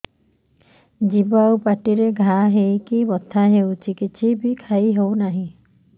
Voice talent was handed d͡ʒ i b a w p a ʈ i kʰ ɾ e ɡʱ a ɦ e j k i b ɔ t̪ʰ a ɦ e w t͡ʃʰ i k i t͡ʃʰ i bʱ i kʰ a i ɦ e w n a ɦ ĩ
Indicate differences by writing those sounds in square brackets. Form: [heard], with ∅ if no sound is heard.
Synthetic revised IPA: d͡ʒ i b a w p a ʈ i [∅] ɾ e ɡʱ a ɦ e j k i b ɔ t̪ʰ a ɦ e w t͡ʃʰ i k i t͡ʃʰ i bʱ i kʰ a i ɦ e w n a ɦ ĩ